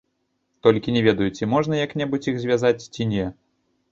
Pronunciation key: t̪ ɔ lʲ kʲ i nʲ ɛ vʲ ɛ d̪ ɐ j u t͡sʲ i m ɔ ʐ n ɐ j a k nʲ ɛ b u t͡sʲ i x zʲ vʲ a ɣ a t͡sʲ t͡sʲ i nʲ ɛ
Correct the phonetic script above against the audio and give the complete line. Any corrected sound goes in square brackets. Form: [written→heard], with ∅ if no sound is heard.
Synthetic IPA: t̪ ɔ lʲ kʲ i nʲ ɛ vʲ ɛ d̪ ɐ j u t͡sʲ i m ɔ ʐ n ɐ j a k nʲ ɛ b u t͡sʲ i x zʲ vʲ a [ɣ→z] a t͡sʲ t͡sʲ i nʲ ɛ